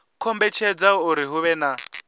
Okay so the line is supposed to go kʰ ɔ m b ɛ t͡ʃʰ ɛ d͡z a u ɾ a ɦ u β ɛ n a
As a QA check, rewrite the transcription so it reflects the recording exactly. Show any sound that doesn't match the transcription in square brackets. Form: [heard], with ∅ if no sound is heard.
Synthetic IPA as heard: kʰ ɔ m b ɛ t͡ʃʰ ɛ d͡z a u ɾ [i] ɦ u β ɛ n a